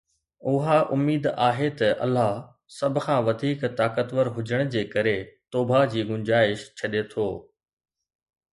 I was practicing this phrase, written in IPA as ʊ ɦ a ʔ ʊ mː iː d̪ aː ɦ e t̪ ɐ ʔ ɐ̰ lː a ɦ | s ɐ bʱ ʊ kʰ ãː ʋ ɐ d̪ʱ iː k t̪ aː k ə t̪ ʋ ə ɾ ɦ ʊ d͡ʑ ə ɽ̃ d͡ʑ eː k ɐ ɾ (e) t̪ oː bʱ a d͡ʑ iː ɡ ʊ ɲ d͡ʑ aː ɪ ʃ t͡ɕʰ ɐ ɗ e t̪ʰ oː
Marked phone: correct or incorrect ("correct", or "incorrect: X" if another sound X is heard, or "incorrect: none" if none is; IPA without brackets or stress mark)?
correct